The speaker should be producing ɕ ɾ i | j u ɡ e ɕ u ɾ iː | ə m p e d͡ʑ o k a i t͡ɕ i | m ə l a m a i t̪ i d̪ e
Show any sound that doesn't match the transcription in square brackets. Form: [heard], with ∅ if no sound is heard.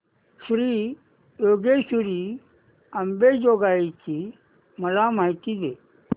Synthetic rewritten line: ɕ ɾ i | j [o] ɡ e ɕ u ɾ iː | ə m [b] e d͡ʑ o [ɡ] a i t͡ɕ i | m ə l a m a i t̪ i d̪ e